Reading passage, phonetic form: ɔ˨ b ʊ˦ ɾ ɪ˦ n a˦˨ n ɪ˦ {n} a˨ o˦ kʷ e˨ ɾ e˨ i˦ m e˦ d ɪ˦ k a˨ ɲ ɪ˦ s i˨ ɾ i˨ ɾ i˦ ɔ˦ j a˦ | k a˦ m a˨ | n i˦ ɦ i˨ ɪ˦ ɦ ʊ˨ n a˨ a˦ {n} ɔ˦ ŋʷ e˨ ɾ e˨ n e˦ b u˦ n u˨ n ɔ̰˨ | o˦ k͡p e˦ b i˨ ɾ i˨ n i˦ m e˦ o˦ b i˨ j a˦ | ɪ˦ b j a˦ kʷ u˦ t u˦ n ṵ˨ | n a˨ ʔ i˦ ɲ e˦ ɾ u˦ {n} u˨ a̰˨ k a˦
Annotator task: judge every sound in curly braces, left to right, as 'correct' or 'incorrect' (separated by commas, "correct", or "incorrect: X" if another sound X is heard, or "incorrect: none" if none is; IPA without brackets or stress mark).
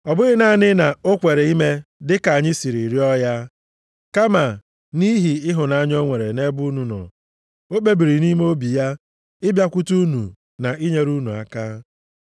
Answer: correct, incorrect: ɲ, correct